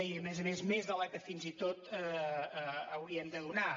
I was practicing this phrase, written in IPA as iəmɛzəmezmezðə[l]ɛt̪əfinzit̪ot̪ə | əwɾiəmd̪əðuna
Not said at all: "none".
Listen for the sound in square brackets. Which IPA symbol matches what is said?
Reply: l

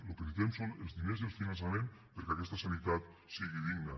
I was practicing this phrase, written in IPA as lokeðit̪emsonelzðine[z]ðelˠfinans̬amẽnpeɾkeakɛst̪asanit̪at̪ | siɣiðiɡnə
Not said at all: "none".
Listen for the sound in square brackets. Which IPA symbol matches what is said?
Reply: z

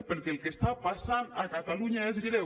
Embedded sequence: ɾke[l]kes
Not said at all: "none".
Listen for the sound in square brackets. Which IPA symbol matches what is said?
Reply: l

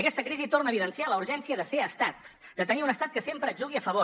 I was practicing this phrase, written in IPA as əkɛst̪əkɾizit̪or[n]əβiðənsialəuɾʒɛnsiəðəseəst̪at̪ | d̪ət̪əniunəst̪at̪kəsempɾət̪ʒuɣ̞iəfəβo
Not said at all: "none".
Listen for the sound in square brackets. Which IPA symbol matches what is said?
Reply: n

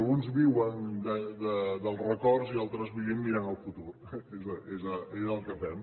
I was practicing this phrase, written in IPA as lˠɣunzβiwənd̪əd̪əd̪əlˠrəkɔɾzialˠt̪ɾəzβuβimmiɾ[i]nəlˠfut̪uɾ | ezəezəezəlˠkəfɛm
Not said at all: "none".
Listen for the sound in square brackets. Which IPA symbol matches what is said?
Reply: a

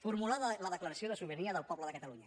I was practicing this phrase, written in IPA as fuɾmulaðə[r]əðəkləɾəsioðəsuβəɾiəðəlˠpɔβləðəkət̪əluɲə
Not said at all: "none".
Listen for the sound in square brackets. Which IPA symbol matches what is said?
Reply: l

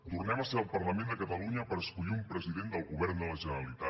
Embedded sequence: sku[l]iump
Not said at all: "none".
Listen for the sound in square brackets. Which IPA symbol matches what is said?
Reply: ʎ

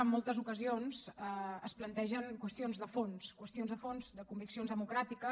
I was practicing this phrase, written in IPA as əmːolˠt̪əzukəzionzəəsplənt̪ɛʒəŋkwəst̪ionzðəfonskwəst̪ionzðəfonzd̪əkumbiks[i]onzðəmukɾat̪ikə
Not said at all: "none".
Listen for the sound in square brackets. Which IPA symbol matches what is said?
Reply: i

